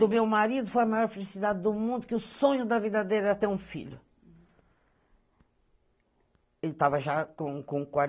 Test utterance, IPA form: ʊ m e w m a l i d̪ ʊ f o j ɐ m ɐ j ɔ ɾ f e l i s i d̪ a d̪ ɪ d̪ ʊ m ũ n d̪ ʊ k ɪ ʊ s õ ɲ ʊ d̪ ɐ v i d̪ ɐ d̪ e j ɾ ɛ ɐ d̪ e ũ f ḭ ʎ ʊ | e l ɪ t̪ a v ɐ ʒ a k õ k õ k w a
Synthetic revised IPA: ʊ m e w m a ɾ i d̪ ʊ f o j ɐ m a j ɔ ɾ f e l i s i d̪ a d̪ ɪ d̪ ʊ m ũ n d̪ ʊ k ɪ ʊ s õ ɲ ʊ d̪ ɐ v i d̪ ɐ d̪ e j ɾ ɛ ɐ t̪ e ũ f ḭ ʎ ʊ | e l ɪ t̪ a v ɐ ʒ a k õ k õ k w a